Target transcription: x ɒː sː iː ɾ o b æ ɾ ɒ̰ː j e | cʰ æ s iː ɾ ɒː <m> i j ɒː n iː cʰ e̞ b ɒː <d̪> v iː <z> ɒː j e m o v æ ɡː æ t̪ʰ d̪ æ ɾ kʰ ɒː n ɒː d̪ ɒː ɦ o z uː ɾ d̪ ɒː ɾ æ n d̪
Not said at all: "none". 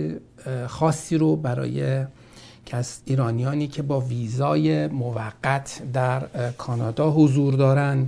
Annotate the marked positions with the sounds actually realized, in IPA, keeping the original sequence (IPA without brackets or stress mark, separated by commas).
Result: n, none, z